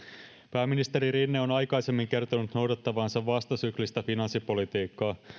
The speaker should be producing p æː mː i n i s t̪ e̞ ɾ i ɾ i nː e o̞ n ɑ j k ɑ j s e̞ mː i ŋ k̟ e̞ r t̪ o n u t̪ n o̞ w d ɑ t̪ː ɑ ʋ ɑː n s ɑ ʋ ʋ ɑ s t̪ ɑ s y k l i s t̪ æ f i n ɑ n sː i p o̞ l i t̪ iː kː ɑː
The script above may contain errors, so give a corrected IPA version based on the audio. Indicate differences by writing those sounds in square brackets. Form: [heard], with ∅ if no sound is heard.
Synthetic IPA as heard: p æː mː i n i s t̪ e̞ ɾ i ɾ i nː e o̞ n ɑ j k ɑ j s e̞ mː i ŋ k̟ e̞ r t̪ o n u t̪ n o̞ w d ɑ t̪ː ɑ ʋ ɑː n s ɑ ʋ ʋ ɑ s t̪ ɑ s y k l i s t̪ æ f i n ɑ n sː i p o̞ l i t̪ iː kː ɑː